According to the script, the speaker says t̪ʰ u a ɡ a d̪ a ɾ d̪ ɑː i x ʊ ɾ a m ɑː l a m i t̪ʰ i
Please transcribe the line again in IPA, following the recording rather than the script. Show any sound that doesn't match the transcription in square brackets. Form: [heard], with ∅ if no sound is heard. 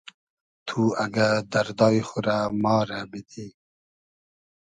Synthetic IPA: t̪ʰ u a ɡ a d̪ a ɾ d̪ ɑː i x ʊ ɾ a m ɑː [ɾ] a [b] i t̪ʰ i